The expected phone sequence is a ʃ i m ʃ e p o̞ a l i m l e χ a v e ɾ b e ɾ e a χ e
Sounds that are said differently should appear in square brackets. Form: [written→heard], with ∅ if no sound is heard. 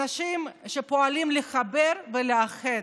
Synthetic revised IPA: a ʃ i m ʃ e p o̞ a l i m l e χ a [v→b] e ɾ [b→v] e [ɾ→l] e a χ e

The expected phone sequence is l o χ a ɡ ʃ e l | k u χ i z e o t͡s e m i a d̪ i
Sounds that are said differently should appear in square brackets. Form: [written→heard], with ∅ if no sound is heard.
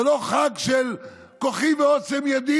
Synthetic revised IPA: l o χ a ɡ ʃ e l | k [u→o] χ i [z→v] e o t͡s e m [i→j] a d̪ i

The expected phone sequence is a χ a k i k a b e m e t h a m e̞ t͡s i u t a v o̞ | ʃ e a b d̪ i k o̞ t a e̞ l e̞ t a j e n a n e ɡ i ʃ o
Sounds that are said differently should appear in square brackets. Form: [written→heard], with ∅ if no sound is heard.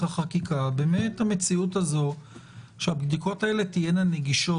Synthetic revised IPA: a χ a k i k a b e m e t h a m e̞ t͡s i u t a [v→z] o̞ | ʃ e a b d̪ i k o̞ t a e̞ l e̞ t [a→i] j e n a n e ɡ i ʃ o

